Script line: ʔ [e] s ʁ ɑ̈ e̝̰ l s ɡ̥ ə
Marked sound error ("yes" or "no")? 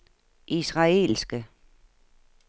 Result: yes